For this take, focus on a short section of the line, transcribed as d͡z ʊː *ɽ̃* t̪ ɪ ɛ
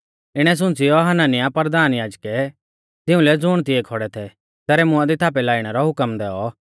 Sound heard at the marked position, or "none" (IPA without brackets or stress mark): ɽ̃